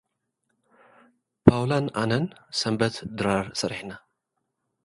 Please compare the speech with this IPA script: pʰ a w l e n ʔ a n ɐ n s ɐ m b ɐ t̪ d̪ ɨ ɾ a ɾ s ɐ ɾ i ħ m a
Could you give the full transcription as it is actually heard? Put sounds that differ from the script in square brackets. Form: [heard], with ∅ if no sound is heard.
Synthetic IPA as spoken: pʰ a w l [a] n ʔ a n ɐ n s ɐ m b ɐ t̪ d̪ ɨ ɾ a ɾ s ɐ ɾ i ħ [n] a